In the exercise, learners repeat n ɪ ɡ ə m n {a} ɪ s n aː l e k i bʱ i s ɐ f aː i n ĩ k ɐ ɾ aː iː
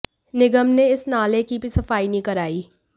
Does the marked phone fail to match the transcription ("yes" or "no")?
yes